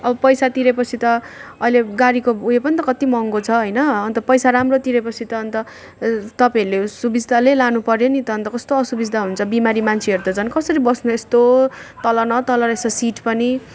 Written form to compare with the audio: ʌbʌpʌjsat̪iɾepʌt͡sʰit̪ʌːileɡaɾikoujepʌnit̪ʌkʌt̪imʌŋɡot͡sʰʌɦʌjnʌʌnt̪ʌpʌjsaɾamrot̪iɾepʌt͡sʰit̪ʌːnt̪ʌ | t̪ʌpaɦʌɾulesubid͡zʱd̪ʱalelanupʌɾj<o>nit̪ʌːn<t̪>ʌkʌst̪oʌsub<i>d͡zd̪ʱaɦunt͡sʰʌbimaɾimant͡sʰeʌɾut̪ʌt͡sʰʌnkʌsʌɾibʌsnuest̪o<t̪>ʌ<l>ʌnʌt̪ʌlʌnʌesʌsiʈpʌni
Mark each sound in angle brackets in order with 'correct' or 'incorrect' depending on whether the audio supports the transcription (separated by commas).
correct, correct, correct, correct, correct